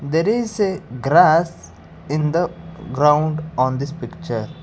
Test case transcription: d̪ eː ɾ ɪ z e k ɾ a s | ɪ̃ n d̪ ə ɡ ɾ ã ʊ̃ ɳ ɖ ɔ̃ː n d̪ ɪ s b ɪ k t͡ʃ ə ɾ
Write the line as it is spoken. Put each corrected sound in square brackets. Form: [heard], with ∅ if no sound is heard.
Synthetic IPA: d̪ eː ɾ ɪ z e [ɡ] ɾ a s | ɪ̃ n d̪ ə ɡ ɾ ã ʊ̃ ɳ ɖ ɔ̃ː n d̪ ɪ s [p] ɪ k t͡ʃ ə ɾ